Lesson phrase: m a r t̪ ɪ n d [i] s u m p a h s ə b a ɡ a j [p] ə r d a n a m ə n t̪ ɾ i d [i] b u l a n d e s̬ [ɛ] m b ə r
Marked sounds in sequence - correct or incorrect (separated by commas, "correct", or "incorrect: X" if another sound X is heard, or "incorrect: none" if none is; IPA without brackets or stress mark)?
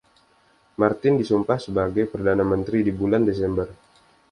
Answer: correct, correct, correct, correct